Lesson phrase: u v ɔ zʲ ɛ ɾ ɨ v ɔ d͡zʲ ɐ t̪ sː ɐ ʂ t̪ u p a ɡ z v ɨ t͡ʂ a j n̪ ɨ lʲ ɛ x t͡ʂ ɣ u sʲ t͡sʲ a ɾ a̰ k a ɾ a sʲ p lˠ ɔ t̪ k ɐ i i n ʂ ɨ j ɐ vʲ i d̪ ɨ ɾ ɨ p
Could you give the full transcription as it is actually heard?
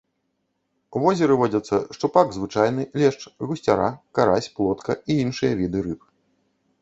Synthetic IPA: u v ɔ zʲ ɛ ɾ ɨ v ɔ d͡zʲ ɐ t̪ sː ɐ ʂ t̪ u p a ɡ z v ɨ t͡ʂ a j n̪ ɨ lʲ ɛ ʂ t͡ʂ ɣ u sʲ t͡sʲ a ɾ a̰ k a ɾ a sʲ p lˠ ɔ t̪ k ɐ i i n ʂ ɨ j ɐ vʲ i d̪ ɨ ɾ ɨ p